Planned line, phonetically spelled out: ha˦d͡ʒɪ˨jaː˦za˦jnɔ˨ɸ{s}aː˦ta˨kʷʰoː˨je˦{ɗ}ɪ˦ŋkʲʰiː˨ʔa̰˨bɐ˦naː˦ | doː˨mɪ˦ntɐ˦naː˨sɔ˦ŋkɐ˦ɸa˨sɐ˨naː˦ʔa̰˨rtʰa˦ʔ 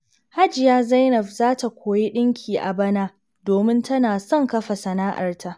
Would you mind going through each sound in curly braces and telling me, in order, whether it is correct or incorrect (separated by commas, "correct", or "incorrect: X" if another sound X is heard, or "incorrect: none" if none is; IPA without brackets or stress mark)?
incorrect: z, correct